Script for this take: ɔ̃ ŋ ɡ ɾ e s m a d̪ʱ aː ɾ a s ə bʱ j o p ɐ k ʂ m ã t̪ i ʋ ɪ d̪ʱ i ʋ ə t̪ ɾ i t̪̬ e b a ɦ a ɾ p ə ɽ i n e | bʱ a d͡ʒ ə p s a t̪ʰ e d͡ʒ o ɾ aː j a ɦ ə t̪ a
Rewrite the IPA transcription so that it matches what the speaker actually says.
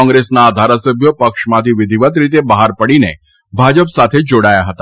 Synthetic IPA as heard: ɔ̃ ŋ ɡ ɾ e s n a d̪ʱ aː ɾ a s ə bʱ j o p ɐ k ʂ m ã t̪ i ʋ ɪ d̪ʱ i ʋ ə t̪ ɾ i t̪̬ e b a ɦ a ɾ p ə ɽ i n e | bʱ a d͡ʒ ə p s a t̪ʰ e d͡ʒ o ɽ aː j a ɦ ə t̪ a